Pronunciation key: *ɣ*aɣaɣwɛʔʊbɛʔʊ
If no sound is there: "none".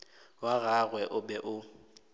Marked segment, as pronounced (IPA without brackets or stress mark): w